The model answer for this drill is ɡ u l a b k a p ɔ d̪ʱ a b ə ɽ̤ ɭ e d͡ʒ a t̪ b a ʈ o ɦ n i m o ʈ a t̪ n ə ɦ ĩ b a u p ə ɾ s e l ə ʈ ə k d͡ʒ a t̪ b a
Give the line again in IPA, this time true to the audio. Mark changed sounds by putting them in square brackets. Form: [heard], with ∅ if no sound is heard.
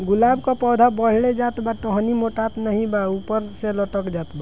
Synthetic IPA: ɡ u l a b k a p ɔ d̪ʱ a b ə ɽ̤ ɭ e d͡ʒ a t̪ b a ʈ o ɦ n i m o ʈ a t̪ n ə ɦ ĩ b a u p ə ɾ s e l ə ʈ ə k d͡ʒ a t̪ b a